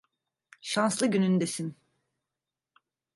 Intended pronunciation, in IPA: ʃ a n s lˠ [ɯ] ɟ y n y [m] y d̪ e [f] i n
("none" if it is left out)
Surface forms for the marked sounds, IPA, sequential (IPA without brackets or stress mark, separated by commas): ɯ, n, s